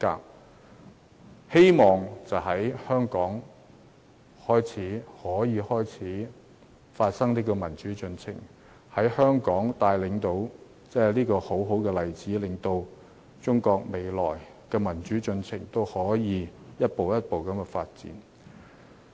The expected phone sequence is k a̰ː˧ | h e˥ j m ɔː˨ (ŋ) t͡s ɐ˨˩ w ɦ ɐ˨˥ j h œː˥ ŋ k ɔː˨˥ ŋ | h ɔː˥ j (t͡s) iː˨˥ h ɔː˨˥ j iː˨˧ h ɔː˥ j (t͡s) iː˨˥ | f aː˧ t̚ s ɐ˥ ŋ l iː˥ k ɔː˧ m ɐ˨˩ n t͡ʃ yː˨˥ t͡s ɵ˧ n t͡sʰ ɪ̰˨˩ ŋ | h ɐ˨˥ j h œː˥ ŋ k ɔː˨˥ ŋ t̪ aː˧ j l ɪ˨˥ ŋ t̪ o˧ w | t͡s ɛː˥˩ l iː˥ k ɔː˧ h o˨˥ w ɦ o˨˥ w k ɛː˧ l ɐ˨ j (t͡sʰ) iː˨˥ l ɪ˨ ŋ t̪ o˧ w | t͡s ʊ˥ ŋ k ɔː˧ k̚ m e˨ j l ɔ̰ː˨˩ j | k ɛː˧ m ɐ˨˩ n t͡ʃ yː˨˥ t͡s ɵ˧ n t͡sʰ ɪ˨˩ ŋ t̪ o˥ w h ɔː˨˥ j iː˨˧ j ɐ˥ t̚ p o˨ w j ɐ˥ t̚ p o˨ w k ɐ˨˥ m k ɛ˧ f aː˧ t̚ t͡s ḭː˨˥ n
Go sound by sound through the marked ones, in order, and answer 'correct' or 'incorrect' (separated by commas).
correct, incorrect, incorrect, incorrect